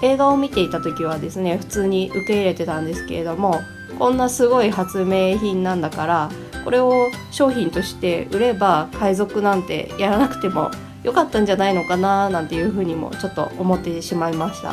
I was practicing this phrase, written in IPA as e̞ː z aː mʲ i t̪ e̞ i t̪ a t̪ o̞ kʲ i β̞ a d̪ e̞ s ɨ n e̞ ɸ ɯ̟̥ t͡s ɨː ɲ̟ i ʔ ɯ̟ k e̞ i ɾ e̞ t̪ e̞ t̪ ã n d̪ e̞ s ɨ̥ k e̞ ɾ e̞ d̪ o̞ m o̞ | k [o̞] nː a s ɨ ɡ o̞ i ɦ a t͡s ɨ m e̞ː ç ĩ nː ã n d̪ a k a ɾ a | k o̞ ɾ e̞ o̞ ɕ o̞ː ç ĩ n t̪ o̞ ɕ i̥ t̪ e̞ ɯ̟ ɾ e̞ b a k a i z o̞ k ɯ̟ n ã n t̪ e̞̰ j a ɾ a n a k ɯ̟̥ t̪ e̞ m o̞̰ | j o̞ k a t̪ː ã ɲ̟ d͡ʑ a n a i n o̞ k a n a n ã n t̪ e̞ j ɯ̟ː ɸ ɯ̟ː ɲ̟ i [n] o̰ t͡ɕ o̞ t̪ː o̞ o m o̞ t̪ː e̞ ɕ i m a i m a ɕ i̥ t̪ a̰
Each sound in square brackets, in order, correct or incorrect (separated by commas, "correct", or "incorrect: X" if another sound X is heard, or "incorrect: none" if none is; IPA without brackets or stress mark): incorrect: õ̞, incorrect: m